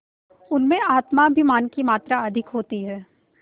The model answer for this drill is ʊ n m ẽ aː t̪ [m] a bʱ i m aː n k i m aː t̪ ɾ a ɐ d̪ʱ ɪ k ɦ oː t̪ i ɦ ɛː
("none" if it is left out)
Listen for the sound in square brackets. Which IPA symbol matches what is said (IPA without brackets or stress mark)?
m